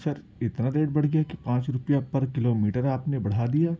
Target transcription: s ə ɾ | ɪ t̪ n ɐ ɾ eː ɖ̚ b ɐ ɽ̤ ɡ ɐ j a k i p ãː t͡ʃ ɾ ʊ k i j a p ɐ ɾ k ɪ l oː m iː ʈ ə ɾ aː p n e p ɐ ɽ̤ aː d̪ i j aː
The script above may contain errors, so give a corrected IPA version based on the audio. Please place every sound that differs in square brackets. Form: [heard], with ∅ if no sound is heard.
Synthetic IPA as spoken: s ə ɾ | ɪ t̪ n [a] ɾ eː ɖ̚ b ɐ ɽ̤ ɡ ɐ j a k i p ãː t͡ʃ ɾ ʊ [p] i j a p ɐ ɾ k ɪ l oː m iː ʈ ə ɾ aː p n e [b] ɐ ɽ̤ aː d̪ i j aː